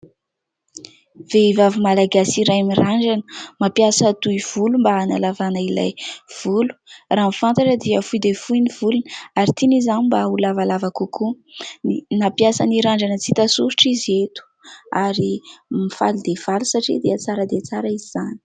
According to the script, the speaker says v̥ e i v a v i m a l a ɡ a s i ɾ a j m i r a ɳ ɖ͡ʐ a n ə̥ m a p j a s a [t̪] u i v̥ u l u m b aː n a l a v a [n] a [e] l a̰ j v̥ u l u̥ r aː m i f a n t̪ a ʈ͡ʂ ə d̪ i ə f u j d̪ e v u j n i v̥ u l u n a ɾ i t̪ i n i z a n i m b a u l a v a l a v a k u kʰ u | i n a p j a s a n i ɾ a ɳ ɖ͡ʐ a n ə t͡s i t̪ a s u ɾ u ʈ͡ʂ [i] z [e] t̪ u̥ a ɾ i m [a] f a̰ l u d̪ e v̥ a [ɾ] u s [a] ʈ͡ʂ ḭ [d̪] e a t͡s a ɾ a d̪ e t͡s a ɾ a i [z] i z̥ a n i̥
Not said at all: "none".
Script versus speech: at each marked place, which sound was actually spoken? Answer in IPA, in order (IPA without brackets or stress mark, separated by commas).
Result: t̪, n, i, i, e, i, l, a, d̪, z